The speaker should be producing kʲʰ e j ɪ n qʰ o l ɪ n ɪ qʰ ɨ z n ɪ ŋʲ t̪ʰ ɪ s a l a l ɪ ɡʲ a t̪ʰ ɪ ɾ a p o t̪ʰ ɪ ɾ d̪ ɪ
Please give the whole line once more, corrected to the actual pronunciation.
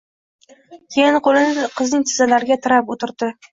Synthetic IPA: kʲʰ e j ɪ n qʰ o l ɪ n ɪ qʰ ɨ z n ɪ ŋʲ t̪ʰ ɪ z a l a ɾ ɪ ɡʲ a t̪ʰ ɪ ɾ a p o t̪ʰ ɪ ɾ d̪ ɪ